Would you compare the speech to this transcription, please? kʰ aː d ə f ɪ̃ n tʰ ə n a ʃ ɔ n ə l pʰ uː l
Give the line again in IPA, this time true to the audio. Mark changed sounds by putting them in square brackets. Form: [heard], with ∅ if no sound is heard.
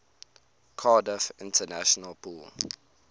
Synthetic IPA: kʰ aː d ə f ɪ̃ n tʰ ə n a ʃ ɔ n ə l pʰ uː l

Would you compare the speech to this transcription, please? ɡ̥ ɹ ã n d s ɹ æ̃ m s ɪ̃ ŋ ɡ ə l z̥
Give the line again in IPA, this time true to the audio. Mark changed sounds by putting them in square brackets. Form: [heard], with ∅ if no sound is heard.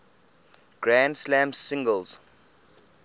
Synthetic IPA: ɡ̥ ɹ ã n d s [l] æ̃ m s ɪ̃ ŋ ɡ ə l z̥

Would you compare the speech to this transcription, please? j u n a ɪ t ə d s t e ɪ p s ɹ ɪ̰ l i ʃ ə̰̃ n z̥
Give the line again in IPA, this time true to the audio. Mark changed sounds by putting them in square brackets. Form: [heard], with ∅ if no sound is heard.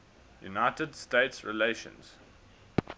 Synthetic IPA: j u n a ɪ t ə d s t e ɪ [t] s ɹ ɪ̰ l [e] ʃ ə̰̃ n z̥

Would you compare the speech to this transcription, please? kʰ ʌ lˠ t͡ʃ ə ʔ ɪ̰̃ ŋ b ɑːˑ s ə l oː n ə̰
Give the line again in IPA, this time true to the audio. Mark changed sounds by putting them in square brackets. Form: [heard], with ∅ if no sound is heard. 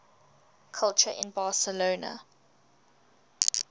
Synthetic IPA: kʰ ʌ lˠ t͡ʃ ə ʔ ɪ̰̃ [n] b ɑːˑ s ə l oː n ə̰

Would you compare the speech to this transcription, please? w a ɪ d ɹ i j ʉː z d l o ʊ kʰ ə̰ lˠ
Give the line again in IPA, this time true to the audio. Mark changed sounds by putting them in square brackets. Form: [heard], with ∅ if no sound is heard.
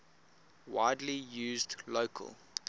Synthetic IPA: w a ɪ d [l] i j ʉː z d l o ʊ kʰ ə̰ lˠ

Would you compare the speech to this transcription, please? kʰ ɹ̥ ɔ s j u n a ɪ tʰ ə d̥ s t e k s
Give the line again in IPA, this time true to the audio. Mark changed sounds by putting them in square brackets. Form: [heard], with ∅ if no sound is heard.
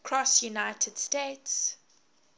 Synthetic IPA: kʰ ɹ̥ ɔ s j u n a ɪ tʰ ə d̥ s t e [t] s

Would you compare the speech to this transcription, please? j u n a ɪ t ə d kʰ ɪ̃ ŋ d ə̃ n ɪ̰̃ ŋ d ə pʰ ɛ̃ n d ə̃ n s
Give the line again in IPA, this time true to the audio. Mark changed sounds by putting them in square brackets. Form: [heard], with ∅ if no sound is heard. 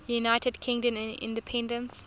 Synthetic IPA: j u n a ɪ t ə d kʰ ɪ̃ ŋ d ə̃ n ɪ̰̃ [n] d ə pʰ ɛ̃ n d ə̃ n s

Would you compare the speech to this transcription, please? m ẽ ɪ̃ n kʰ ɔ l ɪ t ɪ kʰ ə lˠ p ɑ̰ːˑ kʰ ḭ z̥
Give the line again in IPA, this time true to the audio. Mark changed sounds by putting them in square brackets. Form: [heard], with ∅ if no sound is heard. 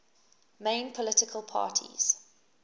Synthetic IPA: m ẽ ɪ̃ n [pʰ] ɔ l ɪ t ɪ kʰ ə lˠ [pʰ] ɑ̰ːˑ [tʰ] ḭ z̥

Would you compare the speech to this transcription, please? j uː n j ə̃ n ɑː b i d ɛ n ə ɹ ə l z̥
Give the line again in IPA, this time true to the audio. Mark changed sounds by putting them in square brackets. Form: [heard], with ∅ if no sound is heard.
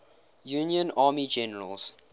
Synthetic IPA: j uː n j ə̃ n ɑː [m] i [d͡ʒ] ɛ n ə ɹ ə l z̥

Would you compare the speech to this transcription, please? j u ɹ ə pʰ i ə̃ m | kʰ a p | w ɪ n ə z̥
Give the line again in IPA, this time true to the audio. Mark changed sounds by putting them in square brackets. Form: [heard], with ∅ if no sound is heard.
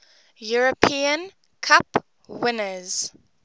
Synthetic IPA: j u ɹ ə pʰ i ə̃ [n] | kʰ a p | w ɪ n ə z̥

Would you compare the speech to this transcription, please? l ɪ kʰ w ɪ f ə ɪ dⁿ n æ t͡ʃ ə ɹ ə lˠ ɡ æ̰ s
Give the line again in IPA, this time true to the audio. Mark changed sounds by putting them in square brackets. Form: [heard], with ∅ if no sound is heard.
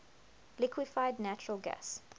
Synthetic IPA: l ɪ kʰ w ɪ f [a] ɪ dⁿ n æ t͡ʃ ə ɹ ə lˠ ɡ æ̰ s

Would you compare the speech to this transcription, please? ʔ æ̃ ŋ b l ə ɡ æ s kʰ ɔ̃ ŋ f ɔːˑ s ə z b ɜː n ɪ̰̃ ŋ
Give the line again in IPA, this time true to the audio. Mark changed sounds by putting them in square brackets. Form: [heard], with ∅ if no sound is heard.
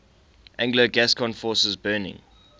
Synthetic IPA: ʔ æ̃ ŋ [ɡ] l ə ɡ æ s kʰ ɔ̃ [n] f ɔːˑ s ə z b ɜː n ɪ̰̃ ŋ

